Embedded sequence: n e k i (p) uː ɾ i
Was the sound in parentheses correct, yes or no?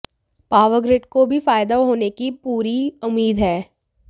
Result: yes